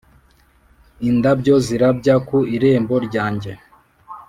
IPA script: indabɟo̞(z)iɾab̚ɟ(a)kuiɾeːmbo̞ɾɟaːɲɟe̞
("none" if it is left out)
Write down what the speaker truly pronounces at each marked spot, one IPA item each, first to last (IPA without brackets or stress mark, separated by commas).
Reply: z, a